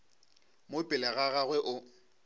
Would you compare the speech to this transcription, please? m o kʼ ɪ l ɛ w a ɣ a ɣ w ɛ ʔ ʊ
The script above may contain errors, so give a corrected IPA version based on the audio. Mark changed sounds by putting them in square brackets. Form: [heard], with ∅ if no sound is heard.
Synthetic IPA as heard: m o [pʼ] ɪ l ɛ [ɣ] a ɣ a ɣ w ɛ ʔ ʊ